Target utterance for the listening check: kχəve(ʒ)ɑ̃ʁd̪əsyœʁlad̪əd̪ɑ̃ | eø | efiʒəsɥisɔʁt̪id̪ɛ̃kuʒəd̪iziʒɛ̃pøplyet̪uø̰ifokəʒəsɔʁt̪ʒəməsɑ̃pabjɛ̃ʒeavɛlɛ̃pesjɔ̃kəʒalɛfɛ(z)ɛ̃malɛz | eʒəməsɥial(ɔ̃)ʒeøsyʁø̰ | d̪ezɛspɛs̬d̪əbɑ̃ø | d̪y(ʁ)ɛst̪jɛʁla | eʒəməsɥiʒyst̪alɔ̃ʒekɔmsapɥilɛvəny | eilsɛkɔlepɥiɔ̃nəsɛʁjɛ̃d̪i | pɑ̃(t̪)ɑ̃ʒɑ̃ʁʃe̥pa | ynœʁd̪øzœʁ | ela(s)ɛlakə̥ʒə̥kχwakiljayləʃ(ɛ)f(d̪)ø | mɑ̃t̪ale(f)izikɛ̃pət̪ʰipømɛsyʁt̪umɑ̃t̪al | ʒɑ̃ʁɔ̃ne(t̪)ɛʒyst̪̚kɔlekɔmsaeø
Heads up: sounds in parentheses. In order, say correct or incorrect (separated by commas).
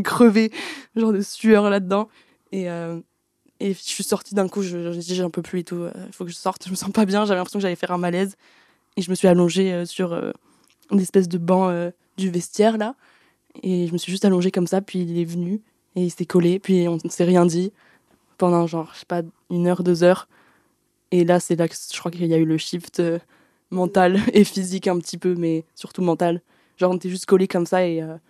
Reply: correct, incorrect, correct, incorrect, incorrect, correct, incorrect, incorrect, correct, correct